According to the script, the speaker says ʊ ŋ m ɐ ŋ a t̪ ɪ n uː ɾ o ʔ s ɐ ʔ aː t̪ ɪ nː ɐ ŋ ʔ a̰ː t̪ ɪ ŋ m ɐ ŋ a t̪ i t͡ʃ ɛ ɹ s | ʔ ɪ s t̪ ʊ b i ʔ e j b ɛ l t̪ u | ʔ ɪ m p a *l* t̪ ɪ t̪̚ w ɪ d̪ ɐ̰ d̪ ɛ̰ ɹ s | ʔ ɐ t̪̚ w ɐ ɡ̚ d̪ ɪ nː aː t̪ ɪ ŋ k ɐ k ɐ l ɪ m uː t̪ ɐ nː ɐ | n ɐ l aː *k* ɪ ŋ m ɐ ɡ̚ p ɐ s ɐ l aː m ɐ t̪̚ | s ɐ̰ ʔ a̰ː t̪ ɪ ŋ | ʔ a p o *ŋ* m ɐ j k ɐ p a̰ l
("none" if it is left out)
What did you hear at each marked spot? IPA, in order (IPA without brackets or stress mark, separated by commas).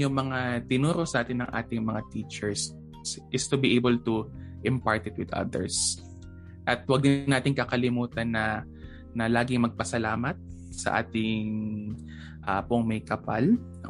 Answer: ɹ, ɡ, ŋ